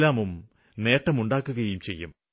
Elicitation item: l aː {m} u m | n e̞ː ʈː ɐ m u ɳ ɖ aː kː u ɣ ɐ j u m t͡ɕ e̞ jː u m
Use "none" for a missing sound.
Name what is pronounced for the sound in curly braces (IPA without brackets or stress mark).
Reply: m